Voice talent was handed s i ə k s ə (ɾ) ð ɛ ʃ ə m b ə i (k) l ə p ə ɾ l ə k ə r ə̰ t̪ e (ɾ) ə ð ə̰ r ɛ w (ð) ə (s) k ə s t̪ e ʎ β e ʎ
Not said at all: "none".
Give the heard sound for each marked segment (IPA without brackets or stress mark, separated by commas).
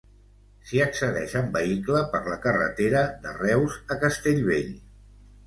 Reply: none, k, ɾ, z, none